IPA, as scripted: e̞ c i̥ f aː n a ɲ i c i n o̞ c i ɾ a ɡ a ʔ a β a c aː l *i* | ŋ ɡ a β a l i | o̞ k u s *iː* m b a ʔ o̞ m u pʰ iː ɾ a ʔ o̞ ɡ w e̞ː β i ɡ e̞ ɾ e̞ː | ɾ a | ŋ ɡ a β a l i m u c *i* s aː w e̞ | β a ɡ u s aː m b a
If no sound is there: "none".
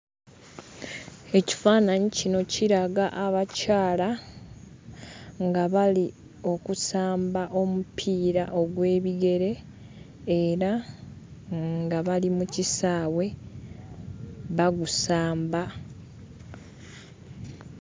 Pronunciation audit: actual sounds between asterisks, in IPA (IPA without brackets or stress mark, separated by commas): a, aː, i